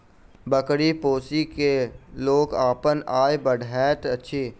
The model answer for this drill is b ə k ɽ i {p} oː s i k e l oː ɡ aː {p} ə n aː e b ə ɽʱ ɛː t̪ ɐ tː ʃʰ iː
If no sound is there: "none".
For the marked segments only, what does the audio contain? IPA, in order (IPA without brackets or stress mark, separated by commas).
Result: p, p